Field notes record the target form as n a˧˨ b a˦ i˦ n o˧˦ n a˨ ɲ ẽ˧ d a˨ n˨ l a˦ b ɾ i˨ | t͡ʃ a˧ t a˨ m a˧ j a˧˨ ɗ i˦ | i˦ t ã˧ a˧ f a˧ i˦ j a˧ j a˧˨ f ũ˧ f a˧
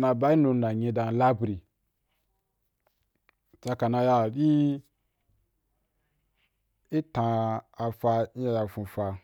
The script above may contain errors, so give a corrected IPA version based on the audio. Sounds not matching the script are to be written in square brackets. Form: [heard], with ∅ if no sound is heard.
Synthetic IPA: n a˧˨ b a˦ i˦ n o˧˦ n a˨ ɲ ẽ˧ d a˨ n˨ l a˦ b ɾ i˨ | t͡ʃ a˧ [k] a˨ [n] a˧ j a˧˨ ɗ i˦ | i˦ t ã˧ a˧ f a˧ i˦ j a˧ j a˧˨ f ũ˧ f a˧